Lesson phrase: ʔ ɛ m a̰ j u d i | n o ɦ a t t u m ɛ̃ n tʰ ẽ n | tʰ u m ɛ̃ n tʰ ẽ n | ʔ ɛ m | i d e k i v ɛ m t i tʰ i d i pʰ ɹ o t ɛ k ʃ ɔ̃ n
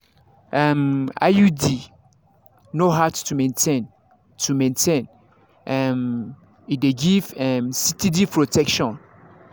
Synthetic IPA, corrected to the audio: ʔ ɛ m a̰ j u d i | n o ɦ a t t u m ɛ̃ n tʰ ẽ n | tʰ u m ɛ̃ n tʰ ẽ n | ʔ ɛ m | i d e ɡ i v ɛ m s i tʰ i d i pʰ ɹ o t ɛ k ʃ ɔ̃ n